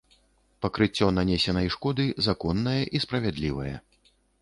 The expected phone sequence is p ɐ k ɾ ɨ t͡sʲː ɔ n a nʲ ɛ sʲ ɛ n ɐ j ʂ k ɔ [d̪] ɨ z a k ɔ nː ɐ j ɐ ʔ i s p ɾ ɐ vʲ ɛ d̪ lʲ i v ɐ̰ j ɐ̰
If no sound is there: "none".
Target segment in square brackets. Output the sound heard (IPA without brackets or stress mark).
d̪